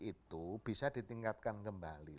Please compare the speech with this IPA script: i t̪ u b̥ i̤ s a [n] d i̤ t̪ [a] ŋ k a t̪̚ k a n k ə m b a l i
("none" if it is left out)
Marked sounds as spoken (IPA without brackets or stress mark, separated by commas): none, i